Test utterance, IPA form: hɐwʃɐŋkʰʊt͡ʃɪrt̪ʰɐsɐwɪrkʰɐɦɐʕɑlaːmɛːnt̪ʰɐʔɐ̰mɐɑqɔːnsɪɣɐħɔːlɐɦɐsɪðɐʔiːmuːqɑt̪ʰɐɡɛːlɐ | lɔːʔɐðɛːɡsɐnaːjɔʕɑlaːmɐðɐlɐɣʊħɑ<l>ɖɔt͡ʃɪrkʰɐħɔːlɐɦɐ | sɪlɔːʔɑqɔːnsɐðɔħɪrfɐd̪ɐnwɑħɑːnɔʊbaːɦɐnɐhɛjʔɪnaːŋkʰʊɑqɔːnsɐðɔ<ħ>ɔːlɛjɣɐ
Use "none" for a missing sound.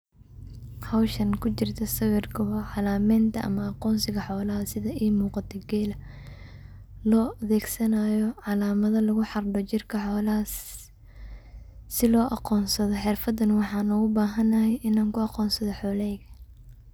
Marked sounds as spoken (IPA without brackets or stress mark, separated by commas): r, ħ